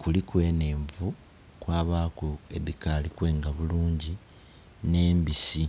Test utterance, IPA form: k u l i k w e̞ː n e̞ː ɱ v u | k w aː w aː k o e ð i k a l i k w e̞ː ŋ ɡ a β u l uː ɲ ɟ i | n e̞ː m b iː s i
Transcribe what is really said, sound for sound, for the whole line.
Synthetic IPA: k u l i k w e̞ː n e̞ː ɱ v u | k w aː β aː k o e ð i k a l i k w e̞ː ŋ ɡ a β u l uː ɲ ɟ i | n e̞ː m b i s i